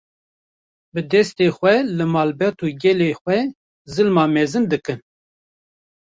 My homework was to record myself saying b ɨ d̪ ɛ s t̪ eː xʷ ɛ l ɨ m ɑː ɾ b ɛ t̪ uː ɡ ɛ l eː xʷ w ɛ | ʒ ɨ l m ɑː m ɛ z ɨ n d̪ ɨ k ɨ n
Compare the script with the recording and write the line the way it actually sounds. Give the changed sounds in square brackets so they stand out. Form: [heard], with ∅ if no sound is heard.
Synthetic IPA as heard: b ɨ d̪ ɛ s t̪ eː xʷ ɛ l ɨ m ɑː [l] b ɛ t̪ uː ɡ ɛ l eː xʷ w ɛ | [z] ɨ l m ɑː m ɛ z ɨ n d̪ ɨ k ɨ n